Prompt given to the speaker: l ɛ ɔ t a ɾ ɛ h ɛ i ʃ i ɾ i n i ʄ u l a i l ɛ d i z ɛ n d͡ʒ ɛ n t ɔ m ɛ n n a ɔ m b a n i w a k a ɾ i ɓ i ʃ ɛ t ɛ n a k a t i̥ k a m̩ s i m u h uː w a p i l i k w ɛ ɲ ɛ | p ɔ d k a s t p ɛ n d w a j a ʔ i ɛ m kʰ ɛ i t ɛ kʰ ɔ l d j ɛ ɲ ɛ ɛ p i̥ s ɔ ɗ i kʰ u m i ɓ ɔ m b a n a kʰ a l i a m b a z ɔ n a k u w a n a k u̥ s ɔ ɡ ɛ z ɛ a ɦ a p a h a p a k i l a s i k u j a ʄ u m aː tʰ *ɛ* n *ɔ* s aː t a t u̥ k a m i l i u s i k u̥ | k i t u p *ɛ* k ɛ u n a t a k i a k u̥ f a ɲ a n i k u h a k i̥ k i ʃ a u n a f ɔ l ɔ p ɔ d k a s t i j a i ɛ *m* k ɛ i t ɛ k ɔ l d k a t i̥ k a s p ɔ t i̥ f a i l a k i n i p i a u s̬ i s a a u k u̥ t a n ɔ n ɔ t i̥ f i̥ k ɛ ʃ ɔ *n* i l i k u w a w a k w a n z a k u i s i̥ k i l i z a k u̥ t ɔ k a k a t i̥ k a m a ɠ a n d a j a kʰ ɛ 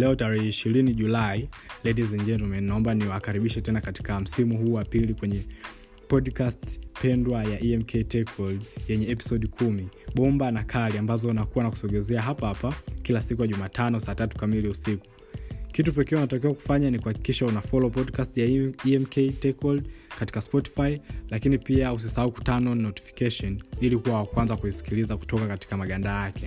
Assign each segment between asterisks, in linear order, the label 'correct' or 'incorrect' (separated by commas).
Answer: incorrect, correct, correct, correct, correct